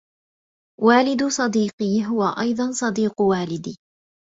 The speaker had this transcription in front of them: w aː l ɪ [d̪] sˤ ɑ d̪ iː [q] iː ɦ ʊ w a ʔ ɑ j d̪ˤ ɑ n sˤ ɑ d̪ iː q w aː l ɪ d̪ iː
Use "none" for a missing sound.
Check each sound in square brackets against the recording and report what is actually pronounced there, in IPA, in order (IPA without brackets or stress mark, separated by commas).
d̪, q